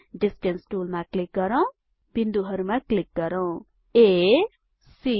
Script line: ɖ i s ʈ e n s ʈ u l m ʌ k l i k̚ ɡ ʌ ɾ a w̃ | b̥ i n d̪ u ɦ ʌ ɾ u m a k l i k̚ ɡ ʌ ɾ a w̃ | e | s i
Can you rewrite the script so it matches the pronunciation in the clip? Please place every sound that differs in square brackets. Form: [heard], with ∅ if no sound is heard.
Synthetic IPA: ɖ i s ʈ e n s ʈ u l m [a] k l i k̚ ɡ ʌ ɾ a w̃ | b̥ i n d̪ u ɦ ʌ ɾ u m a k l i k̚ ɡ ʌ ɾ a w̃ | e | s i